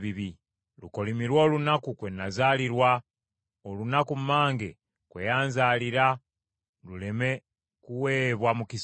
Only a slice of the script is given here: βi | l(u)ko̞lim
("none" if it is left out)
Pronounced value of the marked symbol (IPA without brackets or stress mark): u